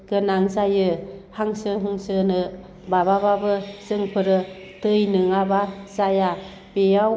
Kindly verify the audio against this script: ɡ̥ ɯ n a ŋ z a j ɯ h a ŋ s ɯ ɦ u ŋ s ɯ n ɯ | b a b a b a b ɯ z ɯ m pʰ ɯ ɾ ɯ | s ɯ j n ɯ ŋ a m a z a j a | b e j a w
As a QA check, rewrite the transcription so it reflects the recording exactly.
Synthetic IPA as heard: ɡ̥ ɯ n a ŋ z a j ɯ h a ŋ s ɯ ɦ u ŋ s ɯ n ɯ | b a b a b a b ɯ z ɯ ŋ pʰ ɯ ɾ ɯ | t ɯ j n ɯ ŋ a b a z a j a | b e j a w